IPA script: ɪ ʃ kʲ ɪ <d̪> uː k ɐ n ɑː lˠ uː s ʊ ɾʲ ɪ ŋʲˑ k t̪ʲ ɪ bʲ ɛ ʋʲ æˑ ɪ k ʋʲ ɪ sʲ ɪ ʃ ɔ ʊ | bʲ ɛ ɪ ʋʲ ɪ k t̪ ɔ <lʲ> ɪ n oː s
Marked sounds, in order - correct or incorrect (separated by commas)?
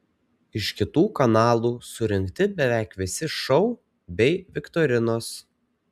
incorrect, incorrect